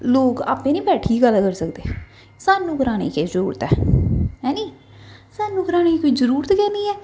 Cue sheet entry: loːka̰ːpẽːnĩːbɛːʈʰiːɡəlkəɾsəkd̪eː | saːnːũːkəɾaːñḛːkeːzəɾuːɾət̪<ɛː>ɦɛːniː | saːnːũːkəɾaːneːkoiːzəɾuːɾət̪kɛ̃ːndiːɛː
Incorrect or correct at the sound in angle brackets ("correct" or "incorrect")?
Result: correct